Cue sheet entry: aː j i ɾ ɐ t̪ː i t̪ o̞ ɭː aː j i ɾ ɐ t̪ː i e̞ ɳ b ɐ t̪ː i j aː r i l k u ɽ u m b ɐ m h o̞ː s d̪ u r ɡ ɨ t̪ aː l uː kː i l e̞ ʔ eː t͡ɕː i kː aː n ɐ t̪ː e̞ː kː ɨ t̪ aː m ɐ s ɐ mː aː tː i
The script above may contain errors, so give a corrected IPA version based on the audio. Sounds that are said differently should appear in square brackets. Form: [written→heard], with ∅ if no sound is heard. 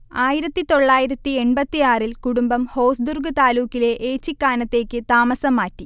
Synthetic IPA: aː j i ɾ ɐ t̪ː i t̪ o̞ ɭː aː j i ɾ ɐ t̪ː i e̞ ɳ b ɐ t̪ː i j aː r i l k u ɽ u m b ɐ m h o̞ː s d̪ u r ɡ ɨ t̪ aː l uː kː i l e̞ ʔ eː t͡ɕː i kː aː n ɐ t̪ː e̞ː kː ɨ t̪ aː m ɐ s ɐ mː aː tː i